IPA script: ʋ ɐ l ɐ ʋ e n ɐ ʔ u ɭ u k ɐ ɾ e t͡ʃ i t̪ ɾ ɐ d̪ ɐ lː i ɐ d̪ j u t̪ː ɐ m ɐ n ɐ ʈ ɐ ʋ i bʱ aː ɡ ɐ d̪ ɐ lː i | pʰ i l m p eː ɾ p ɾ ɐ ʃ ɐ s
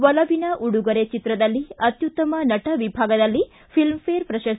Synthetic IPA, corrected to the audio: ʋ ɐ l ɐ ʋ i n ɐ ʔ u ɽ u ɡ ɐ ɾ e t͡ʃ i t̪ ɾ ɐ d̪ ɐ lː i ɐ t̪ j u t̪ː ɐ m ɐ n ɐ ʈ ɐ ʋ i bʱ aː ɡ ɐ d̪ ɐ lː i | pʰ i l m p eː ɾ p ɾ ɐ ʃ ɐ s